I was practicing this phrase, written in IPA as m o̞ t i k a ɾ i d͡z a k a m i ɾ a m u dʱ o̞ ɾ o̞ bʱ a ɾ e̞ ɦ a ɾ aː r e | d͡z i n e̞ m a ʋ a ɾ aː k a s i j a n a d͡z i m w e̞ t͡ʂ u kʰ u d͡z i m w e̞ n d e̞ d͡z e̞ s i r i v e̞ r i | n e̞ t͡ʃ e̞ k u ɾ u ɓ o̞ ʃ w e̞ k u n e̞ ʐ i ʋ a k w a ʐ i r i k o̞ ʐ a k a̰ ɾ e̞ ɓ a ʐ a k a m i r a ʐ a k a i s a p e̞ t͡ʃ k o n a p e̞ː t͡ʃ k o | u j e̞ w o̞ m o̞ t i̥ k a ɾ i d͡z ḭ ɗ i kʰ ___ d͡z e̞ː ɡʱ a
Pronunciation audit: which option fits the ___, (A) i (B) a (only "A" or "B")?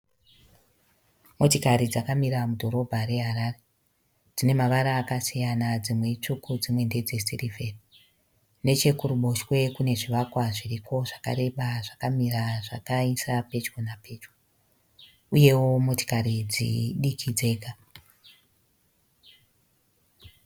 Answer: A